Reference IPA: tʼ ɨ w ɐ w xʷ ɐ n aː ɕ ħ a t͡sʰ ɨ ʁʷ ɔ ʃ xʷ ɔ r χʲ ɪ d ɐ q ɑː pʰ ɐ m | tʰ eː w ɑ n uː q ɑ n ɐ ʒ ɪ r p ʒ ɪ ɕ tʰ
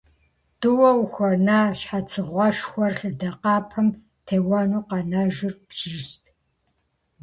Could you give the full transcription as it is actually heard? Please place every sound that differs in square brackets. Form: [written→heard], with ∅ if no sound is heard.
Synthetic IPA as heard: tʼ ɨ w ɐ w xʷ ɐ n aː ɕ ħ a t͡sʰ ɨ ʁʷ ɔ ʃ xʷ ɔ r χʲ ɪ d ɐ q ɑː pʰ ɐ m | tʰ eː w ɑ n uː q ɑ n ɐ ʒ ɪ r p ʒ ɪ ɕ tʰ